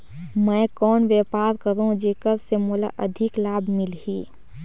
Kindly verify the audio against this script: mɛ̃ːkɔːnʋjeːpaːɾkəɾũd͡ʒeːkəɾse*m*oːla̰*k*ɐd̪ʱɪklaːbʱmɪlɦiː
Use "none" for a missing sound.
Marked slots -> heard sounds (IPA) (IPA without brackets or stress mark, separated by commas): m, ʔ